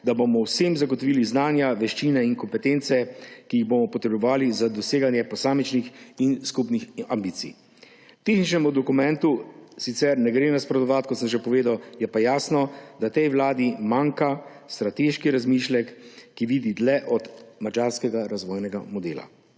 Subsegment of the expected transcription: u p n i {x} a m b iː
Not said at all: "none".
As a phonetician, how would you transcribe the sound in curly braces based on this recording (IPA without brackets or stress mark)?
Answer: x